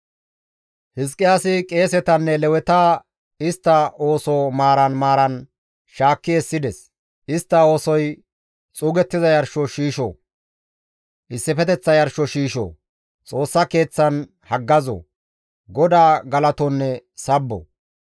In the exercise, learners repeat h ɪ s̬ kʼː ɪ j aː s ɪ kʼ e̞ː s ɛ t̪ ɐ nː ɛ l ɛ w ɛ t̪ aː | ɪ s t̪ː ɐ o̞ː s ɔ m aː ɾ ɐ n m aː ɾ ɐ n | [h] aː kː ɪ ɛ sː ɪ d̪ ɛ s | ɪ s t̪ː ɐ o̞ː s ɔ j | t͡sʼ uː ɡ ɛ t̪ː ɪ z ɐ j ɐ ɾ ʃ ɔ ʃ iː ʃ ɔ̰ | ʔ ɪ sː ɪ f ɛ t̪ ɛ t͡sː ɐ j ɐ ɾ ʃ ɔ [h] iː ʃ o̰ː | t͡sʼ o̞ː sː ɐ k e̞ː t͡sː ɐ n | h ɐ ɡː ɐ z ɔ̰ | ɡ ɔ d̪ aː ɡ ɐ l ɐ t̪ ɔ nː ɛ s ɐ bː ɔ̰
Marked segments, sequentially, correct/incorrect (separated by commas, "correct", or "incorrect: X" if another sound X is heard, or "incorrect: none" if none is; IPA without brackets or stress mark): incorrect: ʃ, incorrect: ʃ